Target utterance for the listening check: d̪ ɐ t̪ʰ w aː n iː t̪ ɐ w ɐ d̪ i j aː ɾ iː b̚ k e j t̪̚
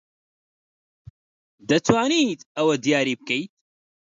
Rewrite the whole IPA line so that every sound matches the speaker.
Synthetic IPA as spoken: d̪ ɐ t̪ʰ w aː n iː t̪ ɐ w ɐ d̪ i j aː ɾ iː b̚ k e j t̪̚